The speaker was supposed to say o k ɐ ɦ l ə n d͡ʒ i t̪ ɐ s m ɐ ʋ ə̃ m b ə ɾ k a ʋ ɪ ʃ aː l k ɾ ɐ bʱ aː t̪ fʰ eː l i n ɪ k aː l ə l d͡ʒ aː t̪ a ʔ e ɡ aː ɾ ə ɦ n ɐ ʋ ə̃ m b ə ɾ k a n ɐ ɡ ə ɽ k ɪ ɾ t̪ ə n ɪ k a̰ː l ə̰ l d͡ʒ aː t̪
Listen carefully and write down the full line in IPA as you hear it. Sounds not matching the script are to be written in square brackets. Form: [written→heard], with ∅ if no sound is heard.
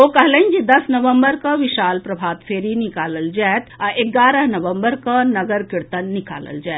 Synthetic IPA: o k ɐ ɦ l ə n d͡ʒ i [t̪→d̪] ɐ s [m→n] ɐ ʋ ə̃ m b ə ɾ k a ʋ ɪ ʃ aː l [k→p] ɾ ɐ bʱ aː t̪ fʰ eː [l→ɾ] i n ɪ k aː l ə l d͡ʒ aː t̪ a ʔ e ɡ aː ɾ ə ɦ n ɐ ʋ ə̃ m b ə ɾ k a n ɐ ɡ ə [ɽ→ɾ] k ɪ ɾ t̪ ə [n→nː] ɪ k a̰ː l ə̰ l d͡ʒ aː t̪